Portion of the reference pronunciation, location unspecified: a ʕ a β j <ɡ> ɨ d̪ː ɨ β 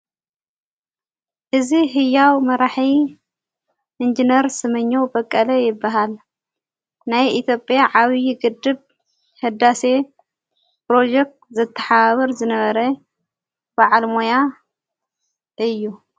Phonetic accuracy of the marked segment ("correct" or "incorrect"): correct